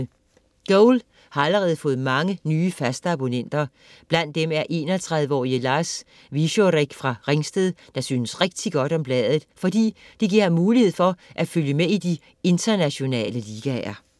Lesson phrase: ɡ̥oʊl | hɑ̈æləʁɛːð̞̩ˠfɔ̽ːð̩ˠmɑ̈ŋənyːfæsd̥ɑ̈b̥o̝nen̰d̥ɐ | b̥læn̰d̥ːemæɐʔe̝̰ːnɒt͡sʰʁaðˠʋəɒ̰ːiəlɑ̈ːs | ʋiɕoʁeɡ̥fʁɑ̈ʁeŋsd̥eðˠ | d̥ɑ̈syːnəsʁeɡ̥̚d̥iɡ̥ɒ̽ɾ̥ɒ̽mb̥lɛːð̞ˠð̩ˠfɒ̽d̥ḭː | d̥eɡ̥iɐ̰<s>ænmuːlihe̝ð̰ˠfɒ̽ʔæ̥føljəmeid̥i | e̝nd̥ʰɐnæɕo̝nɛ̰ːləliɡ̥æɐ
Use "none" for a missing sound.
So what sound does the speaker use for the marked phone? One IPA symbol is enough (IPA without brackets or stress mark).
h